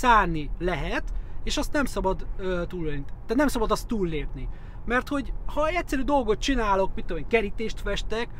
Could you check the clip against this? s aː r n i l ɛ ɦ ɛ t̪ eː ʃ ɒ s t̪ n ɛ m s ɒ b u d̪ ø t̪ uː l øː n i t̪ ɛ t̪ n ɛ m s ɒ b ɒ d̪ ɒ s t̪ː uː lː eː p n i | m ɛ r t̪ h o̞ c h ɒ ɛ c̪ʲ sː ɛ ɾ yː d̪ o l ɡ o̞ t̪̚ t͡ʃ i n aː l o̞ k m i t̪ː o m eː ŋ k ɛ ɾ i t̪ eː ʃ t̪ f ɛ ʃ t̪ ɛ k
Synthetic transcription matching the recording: s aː r n i l ɛ ɦ ɛ t̪ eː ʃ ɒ s t̪ n ɛ m s ɒ b ɒ d̪ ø t̪ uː l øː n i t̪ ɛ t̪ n ɛ m s ɒ b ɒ d̪ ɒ s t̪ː uː lː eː p n i | m ɛ r t̪ h o̞ ɟ h ɒ ɛ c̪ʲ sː ɛ ɾ yː d̪ o l ɡ o̞ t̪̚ t͡ʃ i n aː l o̞ k m i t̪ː o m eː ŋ k ɛ ɾ i t̪ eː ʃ t̪ f ɛ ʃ t̪ ɛ k